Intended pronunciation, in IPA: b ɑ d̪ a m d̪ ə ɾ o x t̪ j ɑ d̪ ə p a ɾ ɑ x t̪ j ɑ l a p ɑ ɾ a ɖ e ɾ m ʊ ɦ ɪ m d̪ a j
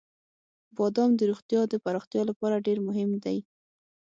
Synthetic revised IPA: b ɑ d̪ ɑ m d̪ ə ɾ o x t̪ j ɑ d̪ ə p a ɾ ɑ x t̪ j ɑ l a p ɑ ɾ a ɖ e ɾ m ʊ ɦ ɪ m d̪ a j